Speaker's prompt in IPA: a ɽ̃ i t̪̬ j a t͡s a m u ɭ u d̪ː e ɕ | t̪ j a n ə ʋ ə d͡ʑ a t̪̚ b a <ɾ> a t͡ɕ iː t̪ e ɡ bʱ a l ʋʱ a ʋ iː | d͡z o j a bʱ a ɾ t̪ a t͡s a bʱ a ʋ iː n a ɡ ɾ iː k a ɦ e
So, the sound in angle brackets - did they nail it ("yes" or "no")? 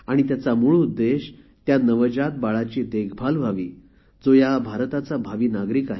no